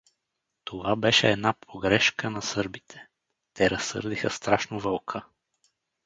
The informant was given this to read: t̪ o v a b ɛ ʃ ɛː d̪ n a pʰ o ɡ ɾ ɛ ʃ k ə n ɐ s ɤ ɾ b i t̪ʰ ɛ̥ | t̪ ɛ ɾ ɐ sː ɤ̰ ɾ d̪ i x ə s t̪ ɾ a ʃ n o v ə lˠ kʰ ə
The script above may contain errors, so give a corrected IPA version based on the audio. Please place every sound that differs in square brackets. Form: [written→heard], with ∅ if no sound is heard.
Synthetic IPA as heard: t̪ o v a b ɛ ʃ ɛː d̪ n a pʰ o ɡ ɾ ɛ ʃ k ə n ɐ s ɤ ɾ b i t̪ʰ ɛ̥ | t̪ ɛ ɾ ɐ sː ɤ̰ ɾ d̪ i x ə s t̪ ɾ a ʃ n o v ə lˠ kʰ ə